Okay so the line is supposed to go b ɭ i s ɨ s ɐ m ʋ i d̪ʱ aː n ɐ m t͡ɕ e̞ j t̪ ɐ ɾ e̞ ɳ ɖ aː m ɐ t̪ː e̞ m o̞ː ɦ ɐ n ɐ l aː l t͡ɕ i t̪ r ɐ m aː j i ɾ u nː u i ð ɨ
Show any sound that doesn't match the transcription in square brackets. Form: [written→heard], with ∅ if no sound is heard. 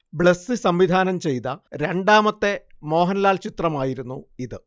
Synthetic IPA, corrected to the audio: b ɭ [i→e] s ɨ s ɐ m ʋ i d̪ʱ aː n ɐ m t͡ɕ e̞ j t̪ ɐ ɾ e̞ ɳ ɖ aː m ɐ t̪ː e̞ m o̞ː ɦ ɐ n ɐ l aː l t͡ɕ i t̪ r ɐ m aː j i ɾ u nː u i ð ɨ

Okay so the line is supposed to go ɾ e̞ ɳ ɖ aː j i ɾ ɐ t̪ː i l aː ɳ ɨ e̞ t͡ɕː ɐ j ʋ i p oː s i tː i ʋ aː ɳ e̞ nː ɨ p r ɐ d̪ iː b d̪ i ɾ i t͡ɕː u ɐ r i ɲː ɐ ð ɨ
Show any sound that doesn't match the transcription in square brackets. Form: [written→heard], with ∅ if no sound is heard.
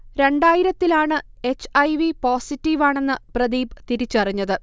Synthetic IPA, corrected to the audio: ɾ e̞ ɳ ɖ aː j i ɾ ɐ t̪ː i l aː ɳ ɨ e̞ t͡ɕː ɐ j ʋ i p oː s i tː i ʋ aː ɳ e̞ nː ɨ p r ɐ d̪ iː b [d̪→t̪] i ɾ i t͡ɕː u ɐ r i ɲː ɐ ð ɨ

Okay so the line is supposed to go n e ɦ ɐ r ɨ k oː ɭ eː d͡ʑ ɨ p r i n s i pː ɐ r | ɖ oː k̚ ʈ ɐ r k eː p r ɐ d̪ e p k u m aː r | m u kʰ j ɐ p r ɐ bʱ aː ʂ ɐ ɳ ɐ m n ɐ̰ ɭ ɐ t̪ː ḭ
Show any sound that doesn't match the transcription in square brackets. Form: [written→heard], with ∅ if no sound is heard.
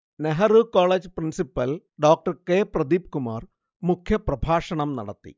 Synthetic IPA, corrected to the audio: n e ɦ ɐ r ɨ k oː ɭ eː d͡ʑ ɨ p r i n s i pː ɐ [r→l] | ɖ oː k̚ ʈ ɐ r k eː p r ɐ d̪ [e→i] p k u m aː r | m u kʰ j ɐ p r ɐ bʱ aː ʂ ɐ ɳ ɐ m n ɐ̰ [ɭ→ɽ] ɐ t̪ː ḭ

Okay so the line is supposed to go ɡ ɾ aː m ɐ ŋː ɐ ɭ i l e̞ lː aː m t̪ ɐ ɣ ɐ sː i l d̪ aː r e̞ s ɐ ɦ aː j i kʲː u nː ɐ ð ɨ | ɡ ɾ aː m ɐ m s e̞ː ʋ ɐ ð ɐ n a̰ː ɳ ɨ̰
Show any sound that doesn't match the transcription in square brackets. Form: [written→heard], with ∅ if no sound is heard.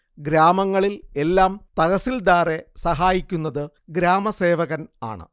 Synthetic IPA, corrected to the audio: ɡ ɾ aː m ɐ ŋː ɐ ɭ i l e̞ lː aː m t̪ ɐ ɣ ɐ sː i l d̪ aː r e̞ s ɐ ɦ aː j i kʲː u nː ɐ ð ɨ | ɡ ɾ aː m ɐ [m→∅] s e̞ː ʋ ɐ [ð→ɣ] ɐ n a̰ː ɳ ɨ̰

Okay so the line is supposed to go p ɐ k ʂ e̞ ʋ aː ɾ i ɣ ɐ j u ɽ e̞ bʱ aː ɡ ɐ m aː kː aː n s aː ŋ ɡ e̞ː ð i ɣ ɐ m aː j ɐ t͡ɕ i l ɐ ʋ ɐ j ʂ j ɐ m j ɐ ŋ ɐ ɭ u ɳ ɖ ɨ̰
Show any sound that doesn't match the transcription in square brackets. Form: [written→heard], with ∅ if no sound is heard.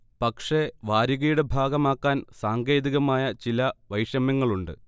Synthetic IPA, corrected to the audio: p ɐ k ʂ e̞ ʋ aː ɾ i ɣ ɐ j u ɽ e̞ bʱ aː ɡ ɐ m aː kː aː n s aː ŋ ɡ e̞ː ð i ɣ ɐ m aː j ɐ t͡ɕ i l ɐ ʋ ɐ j ʂ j ɐ m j ɐ [ŋ→ŋː] ɐ ɭ u ɳ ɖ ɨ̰

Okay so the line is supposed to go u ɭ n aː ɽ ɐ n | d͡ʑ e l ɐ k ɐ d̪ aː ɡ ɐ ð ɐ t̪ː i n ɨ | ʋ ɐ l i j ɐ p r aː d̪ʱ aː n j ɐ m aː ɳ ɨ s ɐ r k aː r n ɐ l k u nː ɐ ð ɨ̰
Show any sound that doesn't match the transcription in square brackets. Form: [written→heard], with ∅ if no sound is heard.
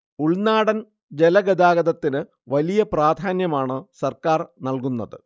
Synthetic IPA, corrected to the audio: u ɭ n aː ɽ ɐ n | d͡ʑ e l ɐ [k→ɡ] ɐ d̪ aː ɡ ɐ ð ɐ t̪ː i n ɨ | ʋ ɐ l i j ɐ p r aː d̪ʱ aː n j ɐ m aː ɳ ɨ s ɐ r k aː r n ɐ l k u nː ɐ ð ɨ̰

